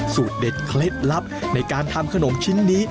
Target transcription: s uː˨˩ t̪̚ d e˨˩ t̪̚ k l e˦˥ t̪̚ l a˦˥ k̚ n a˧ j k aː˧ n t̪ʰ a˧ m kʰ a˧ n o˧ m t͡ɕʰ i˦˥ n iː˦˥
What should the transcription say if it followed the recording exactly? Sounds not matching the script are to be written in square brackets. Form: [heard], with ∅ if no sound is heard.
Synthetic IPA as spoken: s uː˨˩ t̪̚ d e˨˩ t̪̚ [kʰ] l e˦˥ t̪̚ l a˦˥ [p̚] n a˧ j k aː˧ n t̪ʰ a˧ m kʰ a˧ n [o˩˦] m t͡ɕʰ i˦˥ [nː] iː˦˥